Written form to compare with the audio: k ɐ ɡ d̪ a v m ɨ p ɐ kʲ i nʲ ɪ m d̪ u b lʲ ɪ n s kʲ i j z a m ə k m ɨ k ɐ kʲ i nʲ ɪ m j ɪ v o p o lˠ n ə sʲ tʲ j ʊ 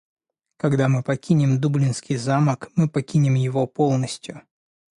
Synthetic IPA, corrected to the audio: k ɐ ɡ d̪ a m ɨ p ɐ kʲ i nʲ ɪ m d̪ u b lʲ ɪ n s kʲ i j z a m ə k m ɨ p ɐ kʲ i nʲ ɪ m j ɪ v o p o lˠ n ə sʲ tʲ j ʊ